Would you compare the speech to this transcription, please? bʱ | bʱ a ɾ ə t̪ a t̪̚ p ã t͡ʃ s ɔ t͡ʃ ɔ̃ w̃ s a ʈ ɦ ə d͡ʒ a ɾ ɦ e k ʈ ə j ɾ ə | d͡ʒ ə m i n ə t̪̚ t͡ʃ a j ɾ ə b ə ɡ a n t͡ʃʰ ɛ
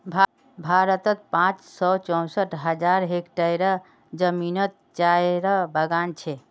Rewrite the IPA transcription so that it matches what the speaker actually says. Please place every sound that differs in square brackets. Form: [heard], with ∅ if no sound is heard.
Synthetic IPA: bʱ | bʱ a ɾ ə t̪ [ə] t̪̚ p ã t͡ʃ s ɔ t͡ʃ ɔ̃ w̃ s [ə] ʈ ɦ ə d͡ʒ a ɾ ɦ e k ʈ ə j ɾ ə | d͡ʒ ə m i n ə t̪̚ t͡ʃ a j ɾ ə b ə ɡ a n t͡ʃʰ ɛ